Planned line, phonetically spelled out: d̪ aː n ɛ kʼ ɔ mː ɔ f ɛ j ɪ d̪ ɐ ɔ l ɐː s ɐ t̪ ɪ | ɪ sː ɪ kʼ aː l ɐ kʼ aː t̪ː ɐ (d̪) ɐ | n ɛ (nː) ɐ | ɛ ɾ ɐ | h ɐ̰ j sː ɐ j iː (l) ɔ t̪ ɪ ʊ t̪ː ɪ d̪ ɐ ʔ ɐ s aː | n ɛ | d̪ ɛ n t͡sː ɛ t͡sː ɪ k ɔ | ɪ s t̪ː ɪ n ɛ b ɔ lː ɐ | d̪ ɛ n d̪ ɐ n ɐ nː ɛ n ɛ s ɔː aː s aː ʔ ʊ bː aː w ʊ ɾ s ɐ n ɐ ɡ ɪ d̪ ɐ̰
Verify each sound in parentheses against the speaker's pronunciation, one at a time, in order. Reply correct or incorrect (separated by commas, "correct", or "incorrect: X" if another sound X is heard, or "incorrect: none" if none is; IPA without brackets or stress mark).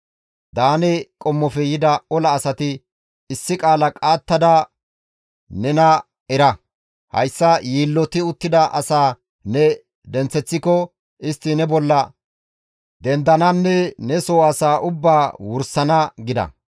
correct, incorrect: n, incorrect: lː